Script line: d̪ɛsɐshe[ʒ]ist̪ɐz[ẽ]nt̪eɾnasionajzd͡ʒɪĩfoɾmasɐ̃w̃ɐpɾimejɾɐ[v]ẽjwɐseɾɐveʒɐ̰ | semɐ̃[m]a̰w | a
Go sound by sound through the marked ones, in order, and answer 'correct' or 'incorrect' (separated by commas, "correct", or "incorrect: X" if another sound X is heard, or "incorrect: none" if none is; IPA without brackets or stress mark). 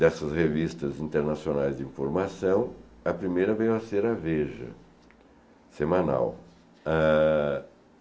incorrect: v, incorrect: ĩ, correct, incorrect: n